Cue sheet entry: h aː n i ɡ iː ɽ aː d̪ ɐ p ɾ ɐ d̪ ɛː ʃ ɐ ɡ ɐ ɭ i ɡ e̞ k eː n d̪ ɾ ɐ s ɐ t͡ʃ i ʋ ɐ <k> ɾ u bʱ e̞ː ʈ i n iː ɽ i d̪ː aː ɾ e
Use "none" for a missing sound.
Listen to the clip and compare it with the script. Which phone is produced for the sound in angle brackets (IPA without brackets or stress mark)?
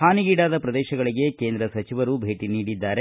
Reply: none